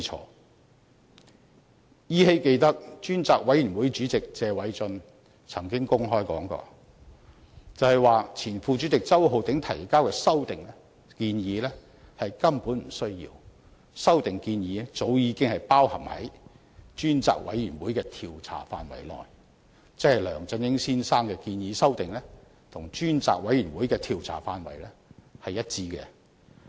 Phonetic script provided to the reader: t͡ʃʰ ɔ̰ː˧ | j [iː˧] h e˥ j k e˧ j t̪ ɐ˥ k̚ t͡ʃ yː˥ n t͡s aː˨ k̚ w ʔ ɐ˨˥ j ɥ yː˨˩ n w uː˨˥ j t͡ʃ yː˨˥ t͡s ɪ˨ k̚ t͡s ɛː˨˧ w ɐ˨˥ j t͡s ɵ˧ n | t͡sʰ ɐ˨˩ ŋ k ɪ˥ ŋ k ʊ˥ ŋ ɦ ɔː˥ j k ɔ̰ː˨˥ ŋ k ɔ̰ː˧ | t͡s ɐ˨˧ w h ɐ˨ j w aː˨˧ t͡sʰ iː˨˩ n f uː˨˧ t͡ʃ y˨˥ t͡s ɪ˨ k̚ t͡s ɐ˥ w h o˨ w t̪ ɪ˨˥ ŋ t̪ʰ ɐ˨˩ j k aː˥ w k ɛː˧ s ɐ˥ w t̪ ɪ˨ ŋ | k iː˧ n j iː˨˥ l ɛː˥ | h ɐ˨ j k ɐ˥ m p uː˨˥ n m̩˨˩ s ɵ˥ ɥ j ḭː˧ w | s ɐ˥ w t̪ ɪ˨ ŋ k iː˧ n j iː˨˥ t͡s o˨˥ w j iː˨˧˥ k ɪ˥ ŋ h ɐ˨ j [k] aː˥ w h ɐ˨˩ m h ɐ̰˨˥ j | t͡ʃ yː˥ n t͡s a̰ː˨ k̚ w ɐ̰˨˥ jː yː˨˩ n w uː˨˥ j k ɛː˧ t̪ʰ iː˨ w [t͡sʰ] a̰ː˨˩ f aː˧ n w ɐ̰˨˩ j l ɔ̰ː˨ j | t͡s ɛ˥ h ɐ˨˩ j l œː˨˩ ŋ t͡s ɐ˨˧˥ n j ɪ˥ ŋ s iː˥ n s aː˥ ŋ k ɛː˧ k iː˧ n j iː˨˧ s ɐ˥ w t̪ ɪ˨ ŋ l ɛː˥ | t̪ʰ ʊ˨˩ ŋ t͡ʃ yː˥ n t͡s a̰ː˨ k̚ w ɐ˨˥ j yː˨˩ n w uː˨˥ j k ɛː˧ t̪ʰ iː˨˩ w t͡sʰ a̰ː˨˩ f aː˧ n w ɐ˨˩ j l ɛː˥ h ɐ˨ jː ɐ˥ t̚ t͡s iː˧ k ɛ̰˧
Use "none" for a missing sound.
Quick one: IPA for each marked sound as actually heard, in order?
iː˥, p, t͡sʰ

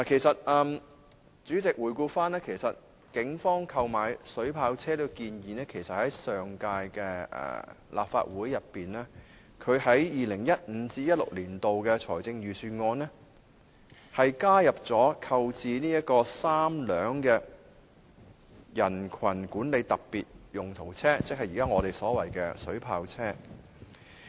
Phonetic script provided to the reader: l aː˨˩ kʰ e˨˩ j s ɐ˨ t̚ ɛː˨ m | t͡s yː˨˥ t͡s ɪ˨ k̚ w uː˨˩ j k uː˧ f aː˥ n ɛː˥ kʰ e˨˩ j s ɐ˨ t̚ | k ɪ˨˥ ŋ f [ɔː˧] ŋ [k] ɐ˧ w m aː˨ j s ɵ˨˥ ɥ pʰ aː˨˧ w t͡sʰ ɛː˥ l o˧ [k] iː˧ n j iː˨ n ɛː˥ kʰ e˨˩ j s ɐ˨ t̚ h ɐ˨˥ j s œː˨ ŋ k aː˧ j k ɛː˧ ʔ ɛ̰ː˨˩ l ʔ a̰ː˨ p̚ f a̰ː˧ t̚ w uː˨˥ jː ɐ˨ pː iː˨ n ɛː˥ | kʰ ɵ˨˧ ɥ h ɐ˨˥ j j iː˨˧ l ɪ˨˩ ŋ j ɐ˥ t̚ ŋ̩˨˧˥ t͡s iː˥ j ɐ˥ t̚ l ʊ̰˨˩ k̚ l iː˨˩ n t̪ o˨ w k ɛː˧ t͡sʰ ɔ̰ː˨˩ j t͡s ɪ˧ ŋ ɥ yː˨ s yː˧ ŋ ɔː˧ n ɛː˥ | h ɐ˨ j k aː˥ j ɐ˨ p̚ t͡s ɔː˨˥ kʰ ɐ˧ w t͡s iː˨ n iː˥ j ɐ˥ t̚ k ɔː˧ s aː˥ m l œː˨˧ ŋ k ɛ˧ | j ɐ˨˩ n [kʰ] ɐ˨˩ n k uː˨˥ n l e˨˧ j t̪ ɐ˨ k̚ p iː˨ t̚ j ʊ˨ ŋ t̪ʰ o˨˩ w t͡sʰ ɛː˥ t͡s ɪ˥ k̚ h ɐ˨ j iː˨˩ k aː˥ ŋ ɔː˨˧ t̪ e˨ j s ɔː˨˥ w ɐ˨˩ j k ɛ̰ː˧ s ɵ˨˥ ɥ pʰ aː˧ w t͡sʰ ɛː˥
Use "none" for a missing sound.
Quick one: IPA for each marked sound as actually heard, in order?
ɔː˥, kʰ, k, kʰ

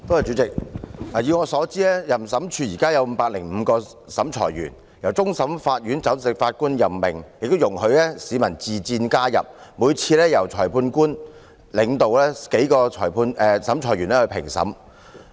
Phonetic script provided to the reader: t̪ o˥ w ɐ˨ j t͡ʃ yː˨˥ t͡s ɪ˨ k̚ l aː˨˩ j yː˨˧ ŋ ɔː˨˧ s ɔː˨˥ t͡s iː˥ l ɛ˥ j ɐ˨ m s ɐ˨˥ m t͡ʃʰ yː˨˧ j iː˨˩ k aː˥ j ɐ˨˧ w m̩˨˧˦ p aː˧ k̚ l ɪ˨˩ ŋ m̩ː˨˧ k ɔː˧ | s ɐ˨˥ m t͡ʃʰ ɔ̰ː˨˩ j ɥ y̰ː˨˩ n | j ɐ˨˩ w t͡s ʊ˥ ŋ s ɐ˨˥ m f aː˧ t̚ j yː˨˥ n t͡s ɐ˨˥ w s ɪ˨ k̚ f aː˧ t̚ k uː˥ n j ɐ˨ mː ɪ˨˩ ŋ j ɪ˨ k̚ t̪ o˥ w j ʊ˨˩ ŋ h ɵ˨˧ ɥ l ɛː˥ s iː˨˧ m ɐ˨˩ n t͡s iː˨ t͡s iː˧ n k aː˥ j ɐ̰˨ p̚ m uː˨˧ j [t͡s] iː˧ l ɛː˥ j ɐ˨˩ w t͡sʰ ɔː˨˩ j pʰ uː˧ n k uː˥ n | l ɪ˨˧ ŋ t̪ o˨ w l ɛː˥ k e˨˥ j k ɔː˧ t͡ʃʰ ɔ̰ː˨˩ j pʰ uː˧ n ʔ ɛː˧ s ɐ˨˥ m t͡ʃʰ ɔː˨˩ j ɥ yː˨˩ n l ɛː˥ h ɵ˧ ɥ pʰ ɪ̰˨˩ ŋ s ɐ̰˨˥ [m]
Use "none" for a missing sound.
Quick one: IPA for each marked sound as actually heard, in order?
t͡sʰ, m

